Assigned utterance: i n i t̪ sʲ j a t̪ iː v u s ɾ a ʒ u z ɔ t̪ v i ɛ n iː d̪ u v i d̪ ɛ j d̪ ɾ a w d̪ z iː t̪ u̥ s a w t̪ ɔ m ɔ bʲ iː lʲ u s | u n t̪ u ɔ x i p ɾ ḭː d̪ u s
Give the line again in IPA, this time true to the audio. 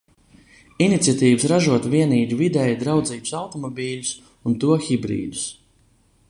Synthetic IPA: i n i t̪ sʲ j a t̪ iː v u s ɾ a ʒ u ɔ t̪ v i ɛ n iː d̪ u v i d̪ ɛ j d̪ ɾ a w d̪ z iː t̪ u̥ s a w t̪ ɔ m ɔ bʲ iː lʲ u s | u n t̪ u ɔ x i b ɾ ḭː d̪ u s

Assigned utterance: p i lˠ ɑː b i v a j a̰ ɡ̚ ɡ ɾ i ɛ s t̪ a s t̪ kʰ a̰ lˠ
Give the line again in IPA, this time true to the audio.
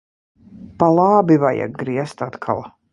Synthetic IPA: p a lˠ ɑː b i v a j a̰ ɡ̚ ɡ ɾ i ɛ s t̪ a t̪ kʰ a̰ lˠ

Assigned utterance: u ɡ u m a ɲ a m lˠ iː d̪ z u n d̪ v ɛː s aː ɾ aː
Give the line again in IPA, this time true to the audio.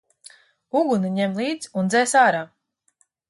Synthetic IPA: u ɡ u n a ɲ ɛ m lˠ iː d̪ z u n d̪ z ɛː s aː ɾ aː

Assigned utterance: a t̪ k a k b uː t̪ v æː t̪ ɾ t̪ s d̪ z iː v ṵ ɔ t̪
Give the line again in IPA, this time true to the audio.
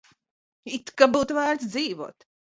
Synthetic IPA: i t̪ k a b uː t̪ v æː ɾ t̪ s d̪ z iː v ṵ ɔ t̪

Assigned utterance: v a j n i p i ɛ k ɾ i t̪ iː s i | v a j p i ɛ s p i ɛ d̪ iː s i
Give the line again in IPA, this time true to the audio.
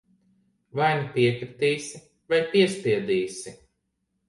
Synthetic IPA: v a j n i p i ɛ k ɾ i t̪ iː s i | v a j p i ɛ s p i ɛ d̪ iː s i

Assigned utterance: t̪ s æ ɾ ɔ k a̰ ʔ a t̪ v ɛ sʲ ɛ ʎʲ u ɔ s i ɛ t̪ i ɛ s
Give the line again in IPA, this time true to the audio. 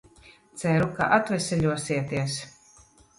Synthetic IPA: t̪ s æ ɾ u k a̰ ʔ a t̪ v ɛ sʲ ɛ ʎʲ u ɔ s i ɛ t̪ i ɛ s

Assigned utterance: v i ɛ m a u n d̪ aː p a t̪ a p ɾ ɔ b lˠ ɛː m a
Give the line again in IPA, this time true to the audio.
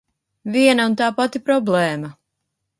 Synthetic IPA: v i ɛ n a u n t̪ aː p a t̪ i p ɾ ɔ b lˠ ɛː m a

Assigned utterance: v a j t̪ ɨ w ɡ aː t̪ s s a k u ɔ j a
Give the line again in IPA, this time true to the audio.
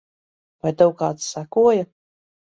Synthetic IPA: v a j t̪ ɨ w k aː t̪ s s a k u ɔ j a

